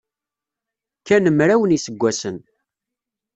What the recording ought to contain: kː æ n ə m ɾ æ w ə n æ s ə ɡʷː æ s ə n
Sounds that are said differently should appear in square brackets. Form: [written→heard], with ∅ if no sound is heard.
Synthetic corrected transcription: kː æ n ə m ɾ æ w ə n [æ→i] s ə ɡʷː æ s ə n